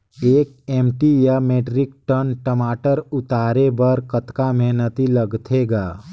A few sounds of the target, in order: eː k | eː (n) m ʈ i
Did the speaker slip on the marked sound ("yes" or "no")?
yes